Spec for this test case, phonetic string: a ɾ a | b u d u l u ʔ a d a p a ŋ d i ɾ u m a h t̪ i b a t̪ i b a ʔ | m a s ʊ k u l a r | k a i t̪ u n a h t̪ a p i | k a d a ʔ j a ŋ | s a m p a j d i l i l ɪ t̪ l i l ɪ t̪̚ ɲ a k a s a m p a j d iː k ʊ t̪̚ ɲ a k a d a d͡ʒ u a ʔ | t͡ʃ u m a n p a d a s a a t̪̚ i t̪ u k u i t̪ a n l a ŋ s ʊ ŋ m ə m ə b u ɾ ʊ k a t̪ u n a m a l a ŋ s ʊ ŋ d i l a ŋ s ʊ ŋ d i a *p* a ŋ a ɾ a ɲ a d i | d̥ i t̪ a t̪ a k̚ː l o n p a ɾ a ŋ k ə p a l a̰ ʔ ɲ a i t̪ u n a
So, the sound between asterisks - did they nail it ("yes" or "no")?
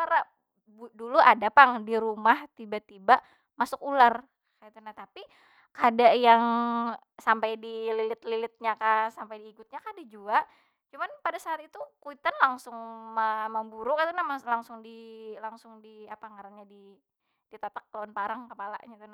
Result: yes